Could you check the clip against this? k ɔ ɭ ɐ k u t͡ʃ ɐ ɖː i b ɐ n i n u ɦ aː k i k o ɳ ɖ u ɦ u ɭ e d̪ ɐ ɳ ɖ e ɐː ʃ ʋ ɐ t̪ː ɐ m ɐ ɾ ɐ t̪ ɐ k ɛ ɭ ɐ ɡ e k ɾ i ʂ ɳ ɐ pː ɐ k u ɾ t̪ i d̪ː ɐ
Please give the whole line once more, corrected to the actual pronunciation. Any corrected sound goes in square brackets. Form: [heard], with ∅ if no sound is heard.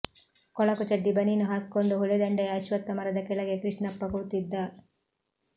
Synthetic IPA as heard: k ɔ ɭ ɐ k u t͡ʃ ɐ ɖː i b ɐ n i n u ɦ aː k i k o ɳ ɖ u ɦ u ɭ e d̪ ɐ ɳ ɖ e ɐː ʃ ʋ ɐ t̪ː ɐ m ɐ ɾ ɐ [d̪] ɐ k ɛ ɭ ɐ ɡ e k ɾ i ʂ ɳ ɐ pː ɐ k u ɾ t̪ i d̪ː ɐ